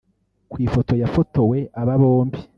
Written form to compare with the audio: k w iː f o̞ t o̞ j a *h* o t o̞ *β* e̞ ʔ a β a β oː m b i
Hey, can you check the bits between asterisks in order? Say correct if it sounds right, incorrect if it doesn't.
incorrect: f, incorrect: w

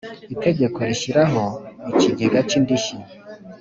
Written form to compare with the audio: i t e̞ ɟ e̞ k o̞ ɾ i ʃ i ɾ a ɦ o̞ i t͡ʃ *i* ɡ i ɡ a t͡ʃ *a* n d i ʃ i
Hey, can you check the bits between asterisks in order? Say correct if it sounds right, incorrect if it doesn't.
correct, incorrect: i

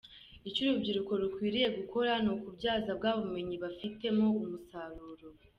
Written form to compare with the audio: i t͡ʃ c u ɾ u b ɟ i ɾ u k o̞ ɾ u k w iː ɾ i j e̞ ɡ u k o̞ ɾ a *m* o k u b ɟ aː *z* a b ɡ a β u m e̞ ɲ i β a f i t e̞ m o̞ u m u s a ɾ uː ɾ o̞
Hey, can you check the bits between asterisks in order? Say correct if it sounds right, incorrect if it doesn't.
incorrect: n, correct

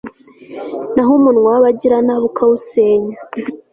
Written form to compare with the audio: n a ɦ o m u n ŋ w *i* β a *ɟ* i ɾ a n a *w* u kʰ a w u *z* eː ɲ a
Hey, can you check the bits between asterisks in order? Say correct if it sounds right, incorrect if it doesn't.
incorrect: a, correct, incorrect: β, incorrect: s

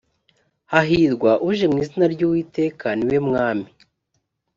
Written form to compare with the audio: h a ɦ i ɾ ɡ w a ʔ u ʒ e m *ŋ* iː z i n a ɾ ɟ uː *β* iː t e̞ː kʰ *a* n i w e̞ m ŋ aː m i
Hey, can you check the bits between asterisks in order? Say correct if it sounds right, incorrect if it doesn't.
correct, incorrect: w, correct

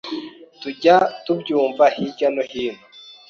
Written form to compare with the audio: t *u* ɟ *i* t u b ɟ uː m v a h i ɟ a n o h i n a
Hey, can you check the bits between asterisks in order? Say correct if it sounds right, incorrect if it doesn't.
correct, incorrect: a

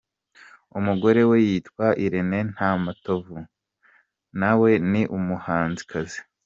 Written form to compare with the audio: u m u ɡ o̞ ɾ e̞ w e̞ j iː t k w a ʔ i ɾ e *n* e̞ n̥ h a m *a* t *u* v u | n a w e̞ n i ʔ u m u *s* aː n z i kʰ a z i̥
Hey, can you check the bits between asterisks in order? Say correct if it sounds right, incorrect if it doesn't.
correct, correct, incorrect: o, incorrect: h

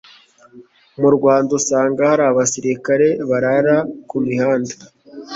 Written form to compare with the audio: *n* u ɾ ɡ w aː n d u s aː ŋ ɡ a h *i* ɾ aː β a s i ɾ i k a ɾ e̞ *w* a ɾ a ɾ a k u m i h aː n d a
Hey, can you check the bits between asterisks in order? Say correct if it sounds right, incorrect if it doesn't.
incorrect: m, incorrect: a, incorrect: β

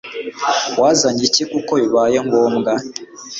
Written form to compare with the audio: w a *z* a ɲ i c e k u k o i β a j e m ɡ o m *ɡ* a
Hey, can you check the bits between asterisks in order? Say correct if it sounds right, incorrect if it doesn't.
correct, correct

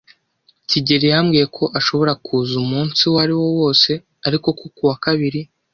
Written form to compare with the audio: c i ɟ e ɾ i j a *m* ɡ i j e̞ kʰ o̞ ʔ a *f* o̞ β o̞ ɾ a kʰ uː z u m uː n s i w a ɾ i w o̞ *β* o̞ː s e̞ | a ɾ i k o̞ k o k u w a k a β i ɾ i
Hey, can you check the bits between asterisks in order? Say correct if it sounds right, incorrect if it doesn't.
correct, incorrect: ʃ, incorrect: w

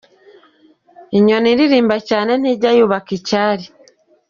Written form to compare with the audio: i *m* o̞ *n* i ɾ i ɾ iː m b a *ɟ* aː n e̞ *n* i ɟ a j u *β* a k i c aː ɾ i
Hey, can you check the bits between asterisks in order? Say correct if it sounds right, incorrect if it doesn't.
incorrect: ɲ, correct, incorrect: c, correct, correct

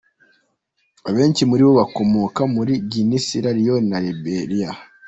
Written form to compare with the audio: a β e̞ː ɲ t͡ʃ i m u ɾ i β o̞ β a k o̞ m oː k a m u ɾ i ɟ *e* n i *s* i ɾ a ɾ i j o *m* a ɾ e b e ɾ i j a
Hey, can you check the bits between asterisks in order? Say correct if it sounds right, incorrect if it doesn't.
incorrect: i, correct, incorrect: n

